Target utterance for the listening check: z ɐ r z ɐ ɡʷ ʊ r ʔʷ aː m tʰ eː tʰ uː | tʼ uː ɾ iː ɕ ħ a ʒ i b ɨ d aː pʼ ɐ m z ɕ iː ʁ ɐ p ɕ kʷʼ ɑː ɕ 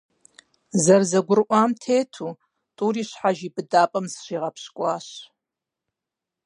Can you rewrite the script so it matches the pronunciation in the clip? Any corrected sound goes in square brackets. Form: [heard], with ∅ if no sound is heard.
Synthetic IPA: z ɐ r z ɐ ɡʷ ʊ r ʔʷ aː m tʰ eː tʰ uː | tʼ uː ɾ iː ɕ ħ a ʒ i b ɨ d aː pʼ ɐ m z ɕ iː ʁ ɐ p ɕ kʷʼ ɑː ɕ